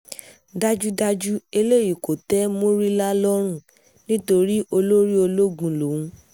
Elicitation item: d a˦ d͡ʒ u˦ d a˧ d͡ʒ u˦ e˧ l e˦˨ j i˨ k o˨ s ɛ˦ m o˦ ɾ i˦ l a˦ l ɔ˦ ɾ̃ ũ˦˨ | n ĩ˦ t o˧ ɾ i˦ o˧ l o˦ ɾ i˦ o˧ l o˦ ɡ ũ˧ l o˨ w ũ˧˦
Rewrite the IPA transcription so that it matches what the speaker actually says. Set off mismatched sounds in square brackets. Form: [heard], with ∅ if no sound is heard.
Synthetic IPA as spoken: d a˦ d͡ʒ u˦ d a˧ d͡ʒ u˦ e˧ l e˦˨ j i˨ k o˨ [t] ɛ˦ m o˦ ɾ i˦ l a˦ l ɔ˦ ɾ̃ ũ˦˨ | n ĩ˦ t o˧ ɾ i˦ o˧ l o˦ ɾ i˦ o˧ l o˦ ɡ ũ˧ l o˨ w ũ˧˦